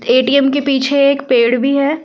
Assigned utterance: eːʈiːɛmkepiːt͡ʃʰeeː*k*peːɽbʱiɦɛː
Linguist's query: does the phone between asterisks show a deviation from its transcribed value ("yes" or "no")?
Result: no